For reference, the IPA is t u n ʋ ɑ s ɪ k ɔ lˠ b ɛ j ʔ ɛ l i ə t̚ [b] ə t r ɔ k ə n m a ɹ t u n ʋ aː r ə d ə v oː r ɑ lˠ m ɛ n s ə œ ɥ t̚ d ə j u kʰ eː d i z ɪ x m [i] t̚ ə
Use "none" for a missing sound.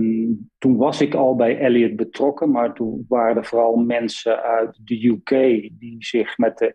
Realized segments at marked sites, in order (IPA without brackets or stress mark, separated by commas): b, ɛ